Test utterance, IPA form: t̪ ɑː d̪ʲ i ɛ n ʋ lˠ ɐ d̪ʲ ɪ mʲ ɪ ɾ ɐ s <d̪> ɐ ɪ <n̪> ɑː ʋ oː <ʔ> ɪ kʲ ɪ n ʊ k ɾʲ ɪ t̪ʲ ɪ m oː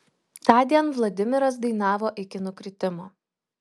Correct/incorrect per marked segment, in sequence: correct, correct, correct

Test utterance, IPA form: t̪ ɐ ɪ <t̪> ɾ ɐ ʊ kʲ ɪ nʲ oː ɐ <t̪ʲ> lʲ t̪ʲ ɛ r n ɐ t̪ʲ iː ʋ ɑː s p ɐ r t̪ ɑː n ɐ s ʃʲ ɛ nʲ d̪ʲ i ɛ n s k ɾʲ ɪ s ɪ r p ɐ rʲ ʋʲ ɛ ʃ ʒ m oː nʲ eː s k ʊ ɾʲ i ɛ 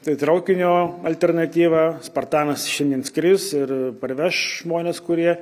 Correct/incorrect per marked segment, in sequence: correct, incorrect

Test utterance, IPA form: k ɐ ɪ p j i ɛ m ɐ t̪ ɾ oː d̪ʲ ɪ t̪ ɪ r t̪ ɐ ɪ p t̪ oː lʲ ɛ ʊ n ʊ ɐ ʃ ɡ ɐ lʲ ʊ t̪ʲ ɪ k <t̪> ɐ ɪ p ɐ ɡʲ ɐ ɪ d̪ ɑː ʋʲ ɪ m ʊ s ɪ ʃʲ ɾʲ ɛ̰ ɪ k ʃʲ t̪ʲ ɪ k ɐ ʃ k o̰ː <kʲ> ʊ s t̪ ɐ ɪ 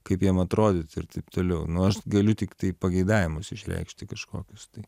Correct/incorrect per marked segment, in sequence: correct, correct

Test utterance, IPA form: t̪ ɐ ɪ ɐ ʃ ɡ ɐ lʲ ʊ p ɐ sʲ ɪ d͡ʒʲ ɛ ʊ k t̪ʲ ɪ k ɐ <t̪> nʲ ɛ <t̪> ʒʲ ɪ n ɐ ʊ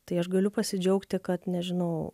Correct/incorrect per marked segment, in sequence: correct, incorrect

